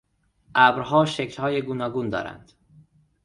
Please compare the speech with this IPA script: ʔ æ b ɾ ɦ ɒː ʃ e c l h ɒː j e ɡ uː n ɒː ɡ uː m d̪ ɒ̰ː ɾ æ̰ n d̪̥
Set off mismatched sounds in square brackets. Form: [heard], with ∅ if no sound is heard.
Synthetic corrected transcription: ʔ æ b ɾ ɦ ɒː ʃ e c l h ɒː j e ɡ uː n ɒː ɡ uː [n] d̪ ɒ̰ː ɾ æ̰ n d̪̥

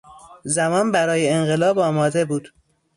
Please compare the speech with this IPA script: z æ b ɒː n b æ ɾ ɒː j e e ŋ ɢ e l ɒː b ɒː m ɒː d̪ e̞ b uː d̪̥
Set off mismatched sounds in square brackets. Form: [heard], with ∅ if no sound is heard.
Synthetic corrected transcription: z æ [m] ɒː n b æ ɾ ɒː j e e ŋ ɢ e l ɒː b ɒː m ɒː d̪ e̞ b uː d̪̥

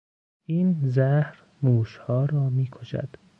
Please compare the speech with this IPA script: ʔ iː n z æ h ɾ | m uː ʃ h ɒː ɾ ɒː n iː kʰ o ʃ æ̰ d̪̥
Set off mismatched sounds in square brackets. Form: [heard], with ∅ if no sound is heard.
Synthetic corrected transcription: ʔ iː n z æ h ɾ | m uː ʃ h ɒː ɾ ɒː [m] iː kʰ o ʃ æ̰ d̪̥

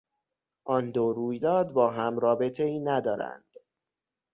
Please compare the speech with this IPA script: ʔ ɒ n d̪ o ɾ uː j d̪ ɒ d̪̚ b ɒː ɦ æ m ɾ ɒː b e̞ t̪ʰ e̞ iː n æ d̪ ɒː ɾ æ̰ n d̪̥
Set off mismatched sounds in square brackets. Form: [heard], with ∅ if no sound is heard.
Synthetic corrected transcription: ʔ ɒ n d̪ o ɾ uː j d̪ [ɒː] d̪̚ b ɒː ɦ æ m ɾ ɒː b e̞ t̪ʰ e̞ iː n æ d̪ ɒː ɾ æ̰ n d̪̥

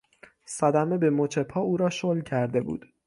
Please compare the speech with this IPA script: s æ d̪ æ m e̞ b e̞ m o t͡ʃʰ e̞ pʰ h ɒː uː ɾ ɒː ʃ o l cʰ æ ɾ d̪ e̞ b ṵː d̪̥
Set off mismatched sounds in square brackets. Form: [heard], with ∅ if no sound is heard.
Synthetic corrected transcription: s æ d̪ æ m e̞ b e̞ m o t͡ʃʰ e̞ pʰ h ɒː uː ɾ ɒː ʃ o l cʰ æ ɾ d̪ e̞ b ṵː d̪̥

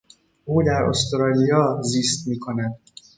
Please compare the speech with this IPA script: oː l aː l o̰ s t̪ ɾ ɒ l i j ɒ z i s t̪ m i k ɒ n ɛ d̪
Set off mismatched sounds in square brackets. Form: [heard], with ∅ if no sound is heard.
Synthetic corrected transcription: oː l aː [ɾ] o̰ s t̪ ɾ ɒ l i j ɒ z i s t̪ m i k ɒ n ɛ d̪

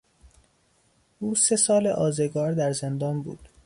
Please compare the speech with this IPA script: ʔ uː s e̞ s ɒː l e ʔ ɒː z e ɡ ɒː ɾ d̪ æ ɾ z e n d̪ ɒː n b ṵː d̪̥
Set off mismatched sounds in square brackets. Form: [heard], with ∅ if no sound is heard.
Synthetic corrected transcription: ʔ uː s e̞ s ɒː l e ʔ ɒː z e ɡ ɒː ɾ d̪ æ ɾ z e n d̪ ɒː n b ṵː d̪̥

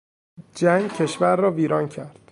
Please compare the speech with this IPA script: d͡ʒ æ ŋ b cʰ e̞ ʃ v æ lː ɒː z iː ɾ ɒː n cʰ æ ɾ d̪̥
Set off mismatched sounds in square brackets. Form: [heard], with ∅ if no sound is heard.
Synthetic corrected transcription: d͡ʒ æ ŋ [ɡ] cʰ e̞ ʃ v æ [ɾː] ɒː [v] iː ɾ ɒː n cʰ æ ɾ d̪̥

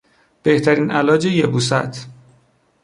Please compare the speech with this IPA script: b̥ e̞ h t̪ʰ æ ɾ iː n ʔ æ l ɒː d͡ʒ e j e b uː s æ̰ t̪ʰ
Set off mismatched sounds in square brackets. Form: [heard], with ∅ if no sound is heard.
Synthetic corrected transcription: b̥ e̞ h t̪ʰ æ ɾ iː n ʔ æ l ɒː d͡ʒ e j e b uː s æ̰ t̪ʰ

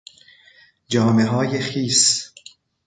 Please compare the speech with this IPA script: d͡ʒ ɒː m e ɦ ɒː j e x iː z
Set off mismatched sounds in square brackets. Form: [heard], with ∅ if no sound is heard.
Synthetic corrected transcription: d͡ʒ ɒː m e ɦ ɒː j e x iː [s]

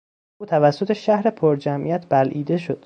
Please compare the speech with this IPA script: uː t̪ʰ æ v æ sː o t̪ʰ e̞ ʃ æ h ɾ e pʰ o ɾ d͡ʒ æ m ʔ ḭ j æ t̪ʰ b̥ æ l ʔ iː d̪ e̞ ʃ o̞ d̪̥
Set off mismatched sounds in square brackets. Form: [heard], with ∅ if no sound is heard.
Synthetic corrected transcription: uː t̪ʰ æ v æ sː o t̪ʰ e̞ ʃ æ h ɾ e pʰ o ɾ d͡ʒ æ m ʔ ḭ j æ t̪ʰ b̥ æ l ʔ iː d̪ e̞ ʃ o̞ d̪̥

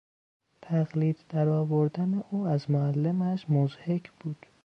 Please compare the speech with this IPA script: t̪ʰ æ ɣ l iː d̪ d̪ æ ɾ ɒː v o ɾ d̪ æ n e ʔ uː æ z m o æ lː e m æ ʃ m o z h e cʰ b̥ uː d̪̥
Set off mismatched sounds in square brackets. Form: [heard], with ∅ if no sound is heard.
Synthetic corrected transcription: t̪ʰ æ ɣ l iː d̪ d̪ æ ɾ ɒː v o ɾ d̪ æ n e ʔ uː æ z m o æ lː e m æ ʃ m o z h e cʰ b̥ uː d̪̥

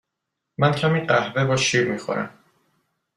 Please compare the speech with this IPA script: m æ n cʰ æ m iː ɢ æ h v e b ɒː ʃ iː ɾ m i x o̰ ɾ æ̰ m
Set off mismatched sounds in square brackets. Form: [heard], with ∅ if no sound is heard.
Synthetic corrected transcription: m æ n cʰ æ m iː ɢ æ h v e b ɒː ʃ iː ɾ m i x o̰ ɾ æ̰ m

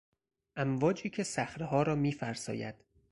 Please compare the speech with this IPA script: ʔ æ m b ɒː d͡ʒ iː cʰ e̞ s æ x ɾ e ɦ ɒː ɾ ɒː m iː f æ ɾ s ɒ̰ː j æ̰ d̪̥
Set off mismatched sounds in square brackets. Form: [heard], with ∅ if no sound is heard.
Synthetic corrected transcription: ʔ æ m [v] ɒː d͡ʒ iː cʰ e̞ s æ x ɾ e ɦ ɒː ɾ ɒː m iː f æ ɾ s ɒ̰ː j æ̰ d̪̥

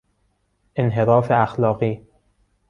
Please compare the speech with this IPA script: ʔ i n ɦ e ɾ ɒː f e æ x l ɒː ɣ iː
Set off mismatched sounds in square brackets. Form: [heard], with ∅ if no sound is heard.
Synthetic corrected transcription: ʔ [e] n ɦ e ɾ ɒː f e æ x l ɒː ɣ iː

